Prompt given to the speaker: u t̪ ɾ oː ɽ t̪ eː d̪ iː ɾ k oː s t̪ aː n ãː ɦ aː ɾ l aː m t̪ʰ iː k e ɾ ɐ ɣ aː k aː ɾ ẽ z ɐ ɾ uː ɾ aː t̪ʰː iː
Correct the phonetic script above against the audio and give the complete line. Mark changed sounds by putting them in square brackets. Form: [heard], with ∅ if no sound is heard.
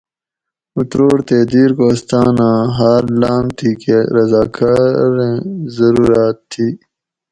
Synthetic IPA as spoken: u t̪ ɾ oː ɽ t̪ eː d̪ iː ɾ k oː s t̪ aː n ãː ɦ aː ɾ l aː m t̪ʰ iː k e ɾ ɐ [z] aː k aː ɾ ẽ z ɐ ɾ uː ɾ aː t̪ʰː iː